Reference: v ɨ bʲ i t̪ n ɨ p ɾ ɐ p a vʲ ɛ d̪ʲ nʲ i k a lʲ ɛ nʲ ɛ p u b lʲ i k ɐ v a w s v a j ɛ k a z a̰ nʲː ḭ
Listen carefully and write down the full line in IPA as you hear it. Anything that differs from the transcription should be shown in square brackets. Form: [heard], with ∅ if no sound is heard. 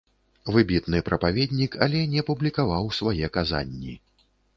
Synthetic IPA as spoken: v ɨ bʲ i t̪ n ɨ p ɾ ɐ p a vʲ ɛ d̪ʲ nʲ i k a lʲ ɛ nʲ ɛ p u b lʲ i k [a] v a w s v a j ɛ k a z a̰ nʲː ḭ